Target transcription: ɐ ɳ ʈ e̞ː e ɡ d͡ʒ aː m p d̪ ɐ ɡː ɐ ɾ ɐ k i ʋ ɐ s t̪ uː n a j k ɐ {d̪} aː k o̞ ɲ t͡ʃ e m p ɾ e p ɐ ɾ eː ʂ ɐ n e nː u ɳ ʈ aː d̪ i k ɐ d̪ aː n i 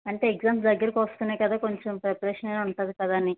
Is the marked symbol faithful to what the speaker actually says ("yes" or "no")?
yes